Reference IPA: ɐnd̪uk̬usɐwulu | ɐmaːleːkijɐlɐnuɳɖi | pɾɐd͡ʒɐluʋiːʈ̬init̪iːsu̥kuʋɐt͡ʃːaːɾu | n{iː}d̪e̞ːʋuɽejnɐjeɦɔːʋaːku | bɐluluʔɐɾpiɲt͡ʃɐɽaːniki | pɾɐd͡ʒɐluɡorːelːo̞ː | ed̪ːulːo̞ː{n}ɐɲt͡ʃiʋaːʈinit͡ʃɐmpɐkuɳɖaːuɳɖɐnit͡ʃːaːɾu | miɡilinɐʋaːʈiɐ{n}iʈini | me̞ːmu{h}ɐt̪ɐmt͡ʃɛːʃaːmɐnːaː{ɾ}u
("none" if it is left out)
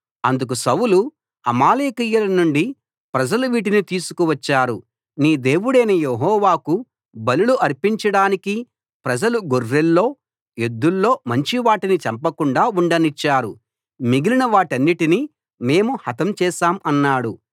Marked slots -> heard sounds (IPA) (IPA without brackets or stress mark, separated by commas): iː, m, nː, h, ɽ